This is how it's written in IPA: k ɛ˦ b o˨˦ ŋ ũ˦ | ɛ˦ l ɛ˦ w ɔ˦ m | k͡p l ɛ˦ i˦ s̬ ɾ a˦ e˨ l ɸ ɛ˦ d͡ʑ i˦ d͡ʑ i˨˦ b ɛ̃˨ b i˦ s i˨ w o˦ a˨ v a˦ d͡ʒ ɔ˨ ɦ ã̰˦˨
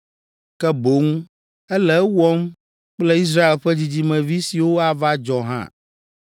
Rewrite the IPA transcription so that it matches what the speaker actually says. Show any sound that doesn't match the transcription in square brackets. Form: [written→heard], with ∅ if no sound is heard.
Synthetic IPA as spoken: k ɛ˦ b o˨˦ ŋ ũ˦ | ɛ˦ l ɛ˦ w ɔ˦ m | k͡p l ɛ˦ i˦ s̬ ɾ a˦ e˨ l ɸ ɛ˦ d͡ʑ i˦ d͡ʑ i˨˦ [b→m] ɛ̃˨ [b→v] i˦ s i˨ w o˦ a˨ v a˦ d͡ʒ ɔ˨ ɦ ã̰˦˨